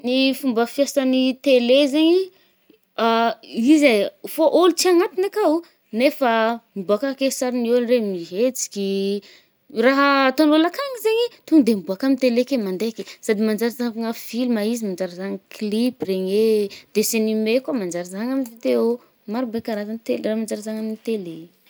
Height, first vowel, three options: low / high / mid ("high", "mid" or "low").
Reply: high